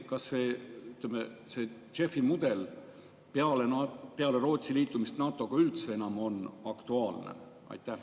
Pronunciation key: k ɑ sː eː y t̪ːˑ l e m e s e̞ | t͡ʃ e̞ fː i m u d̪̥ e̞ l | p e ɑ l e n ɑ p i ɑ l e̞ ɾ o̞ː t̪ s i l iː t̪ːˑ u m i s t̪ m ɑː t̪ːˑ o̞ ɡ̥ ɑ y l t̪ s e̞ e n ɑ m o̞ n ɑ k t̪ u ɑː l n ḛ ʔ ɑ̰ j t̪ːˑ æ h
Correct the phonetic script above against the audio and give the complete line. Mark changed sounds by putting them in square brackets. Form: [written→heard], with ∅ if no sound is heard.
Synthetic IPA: k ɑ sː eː y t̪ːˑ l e m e s e̞ | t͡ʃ e̞ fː i m u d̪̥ e̞ l | p e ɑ l e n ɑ p [i→e] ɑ l e̞ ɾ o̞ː t̪ s i l iː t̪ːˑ u m i s t̪ [m→n] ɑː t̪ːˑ o̞ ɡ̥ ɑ y l t̪ s e̞ e n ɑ m o̞ n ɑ k t̪ u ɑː l n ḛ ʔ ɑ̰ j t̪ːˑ æ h